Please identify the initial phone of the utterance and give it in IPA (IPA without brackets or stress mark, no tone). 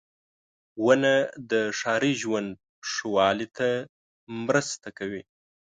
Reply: w